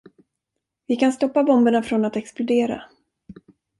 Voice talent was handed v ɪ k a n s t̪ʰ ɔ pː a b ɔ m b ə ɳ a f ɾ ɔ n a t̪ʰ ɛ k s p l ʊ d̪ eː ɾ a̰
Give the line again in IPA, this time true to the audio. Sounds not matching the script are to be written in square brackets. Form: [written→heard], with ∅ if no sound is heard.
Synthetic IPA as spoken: v ɪ k a n s [t̪ʰ→t̪] ɔ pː a b ɔ m b ə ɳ a f ɾ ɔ n a [t̪ʰ→t̪] ɛ k s p l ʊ d̪ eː ɾ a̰